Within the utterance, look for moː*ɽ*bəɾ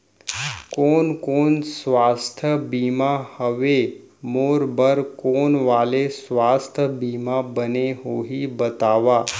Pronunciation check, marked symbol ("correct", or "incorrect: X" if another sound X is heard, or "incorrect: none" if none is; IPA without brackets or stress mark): incorrect: ɾ